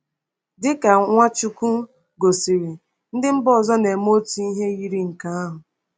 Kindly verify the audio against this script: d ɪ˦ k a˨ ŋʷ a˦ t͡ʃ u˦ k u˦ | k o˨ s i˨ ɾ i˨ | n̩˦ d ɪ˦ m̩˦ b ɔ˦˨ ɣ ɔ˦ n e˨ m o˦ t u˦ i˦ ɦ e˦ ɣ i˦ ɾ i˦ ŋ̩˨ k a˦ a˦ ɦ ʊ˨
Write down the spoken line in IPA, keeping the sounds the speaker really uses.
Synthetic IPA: d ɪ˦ k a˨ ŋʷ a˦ t͡ʃ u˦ k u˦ | ɡ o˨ s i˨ ɾ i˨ | n̩˦ d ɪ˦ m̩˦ b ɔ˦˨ z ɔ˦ n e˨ m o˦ t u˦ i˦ ɦ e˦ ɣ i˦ ɾ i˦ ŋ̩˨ k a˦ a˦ ɦ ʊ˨